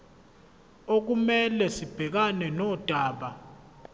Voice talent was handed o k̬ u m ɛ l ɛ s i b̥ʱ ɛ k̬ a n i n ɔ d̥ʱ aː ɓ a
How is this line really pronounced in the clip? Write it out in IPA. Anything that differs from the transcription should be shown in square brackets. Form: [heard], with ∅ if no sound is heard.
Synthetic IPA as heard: o k̬ u m ɛ l ɛ s i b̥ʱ ɛ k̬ a n [ɛ] n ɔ d̥ʱ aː ɓ a